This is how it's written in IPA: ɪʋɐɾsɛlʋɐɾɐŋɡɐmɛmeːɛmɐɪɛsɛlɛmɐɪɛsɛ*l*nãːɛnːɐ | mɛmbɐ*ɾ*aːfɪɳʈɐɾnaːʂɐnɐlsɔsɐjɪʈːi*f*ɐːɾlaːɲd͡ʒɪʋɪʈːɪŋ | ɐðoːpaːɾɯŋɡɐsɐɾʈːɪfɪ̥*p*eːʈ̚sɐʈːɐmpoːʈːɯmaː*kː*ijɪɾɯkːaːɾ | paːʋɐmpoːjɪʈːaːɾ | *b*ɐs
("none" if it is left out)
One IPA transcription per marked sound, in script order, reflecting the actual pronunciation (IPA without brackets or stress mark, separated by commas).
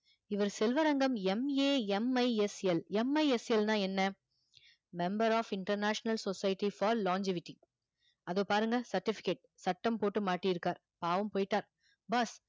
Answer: l, ɾ, f, k, ʈː, b